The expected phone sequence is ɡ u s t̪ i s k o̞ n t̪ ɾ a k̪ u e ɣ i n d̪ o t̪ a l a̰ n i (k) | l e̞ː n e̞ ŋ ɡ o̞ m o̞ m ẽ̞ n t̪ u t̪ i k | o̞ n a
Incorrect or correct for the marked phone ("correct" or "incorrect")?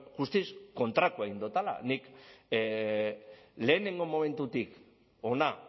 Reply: correct